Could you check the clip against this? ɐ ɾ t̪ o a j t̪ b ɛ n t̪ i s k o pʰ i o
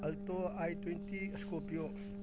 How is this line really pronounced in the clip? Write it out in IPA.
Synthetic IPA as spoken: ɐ l t̪ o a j t̪ w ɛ n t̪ i s k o p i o

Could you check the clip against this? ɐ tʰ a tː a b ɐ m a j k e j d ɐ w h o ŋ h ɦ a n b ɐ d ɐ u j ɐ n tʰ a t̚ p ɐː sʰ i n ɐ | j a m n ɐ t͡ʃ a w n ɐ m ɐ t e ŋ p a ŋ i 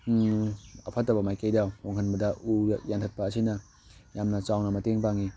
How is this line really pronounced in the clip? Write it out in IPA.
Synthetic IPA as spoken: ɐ pʰ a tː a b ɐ m a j k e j d a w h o ŋ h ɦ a n b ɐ d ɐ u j a n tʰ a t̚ p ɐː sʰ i n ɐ | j a m n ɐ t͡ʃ a w n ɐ m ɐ t e ŋ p a ŋ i

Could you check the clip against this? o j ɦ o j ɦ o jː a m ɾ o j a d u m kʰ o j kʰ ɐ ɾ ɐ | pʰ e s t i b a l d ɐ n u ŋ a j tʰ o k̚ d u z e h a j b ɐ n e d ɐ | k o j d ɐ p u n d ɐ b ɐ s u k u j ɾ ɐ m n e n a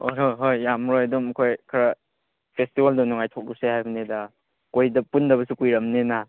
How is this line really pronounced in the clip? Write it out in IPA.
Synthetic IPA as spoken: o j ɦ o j ɦ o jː a m ɾ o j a d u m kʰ o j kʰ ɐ ɾ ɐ | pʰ e s t i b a l d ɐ n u ŋ a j tʰ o k̚ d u s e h a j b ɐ n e d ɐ | k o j d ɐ p u n d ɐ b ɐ s u k u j ɾ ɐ m n e n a

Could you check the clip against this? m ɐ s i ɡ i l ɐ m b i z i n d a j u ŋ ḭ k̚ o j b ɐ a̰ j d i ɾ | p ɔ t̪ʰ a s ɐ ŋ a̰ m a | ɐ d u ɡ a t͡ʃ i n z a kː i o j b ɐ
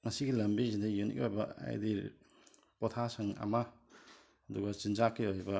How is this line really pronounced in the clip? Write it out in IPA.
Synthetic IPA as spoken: ŋ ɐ s i ɡ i l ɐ m b i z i n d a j u n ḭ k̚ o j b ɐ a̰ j d i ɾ | p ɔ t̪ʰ a s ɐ ŋ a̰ m a | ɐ d u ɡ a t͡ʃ i n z a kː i o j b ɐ

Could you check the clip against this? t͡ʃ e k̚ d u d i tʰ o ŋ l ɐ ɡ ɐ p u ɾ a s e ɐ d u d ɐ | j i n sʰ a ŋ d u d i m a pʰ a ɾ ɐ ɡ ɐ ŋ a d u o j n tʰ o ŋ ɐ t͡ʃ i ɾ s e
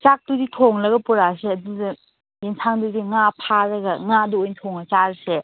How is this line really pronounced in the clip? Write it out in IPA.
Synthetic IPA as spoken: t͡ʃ a k̚ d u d i tʰ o ŋ l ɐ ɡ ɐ p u ɾ a s e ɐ d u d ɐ | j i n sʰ a ŋ d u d i ŋ a pʰ a ɾ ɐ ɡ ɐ ŋ a d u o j n tʰ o ŋ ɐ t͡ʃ a ɾ s e

